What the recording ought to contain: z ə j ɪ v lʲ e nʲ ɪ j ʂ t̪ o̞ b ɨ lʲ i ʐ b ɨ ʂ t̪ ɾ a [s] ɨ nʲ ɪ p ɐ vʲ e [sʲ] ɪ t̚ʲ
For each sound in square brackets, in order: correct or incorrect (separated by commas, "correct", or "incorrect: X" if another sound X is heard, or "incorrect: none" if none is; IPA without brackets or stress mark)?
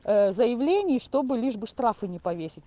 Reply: incorrect: f, correct